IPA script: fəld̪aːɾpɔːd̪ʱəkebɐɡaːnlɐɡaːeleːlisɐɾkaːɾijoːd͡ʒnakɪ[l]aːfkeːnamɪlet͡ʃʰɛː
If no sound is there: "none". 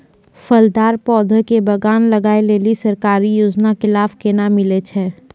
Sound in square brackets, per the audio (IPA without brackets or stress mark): l